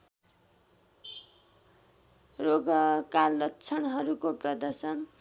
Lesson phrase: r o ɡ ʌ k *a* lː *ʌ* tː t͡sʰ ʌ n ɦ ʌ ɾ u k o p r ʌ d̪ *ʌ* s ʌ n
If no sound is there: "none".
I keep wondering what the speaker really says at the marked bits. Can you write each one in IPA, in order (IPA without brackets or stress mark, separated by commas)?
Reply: a, ʌ, ʌ